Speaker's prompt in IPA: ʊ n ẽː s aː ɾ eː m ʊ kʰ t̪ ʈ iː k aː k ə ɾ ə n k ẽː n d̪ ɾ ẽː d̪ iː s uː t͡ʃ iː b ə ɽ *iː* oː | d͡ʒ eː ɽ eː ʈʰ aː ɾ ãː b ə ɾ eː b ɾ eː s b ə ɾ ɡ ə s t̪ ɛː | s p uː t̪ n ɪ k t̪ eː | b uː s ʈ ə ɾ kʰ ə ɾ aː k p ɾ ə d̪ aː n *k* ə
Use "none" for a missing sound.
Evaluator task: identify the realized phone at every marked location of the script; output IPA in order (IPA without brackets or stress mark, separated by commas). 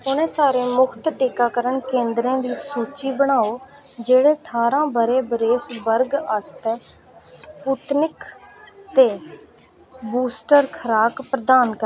aː, k